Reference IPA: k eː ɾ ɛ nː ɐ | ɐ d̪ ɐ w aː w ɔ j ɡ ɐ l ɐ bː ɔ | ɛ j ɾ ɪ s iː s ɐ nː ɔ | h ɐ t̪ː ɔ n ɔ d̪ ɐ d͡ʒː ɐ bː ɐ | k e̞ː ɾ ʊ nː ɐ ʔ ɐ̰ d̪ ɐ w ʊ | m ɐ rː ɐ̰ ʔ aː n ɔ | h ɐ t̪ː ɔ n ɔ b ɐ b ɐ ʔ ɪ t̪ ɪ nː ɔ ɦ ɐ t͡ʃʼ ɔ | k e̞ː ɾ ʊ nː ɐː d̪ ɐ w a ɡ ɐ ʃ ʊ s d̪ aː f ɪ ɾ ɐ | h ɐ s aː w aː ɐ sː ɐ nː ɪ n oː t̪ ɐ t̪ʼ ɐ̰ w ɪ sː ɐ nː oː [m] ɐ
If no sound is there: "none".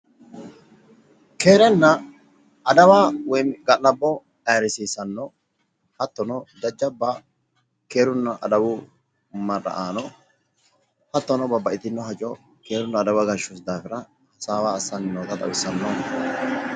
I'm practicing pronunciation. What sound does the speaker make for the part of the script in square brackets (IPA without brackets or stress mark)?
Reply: n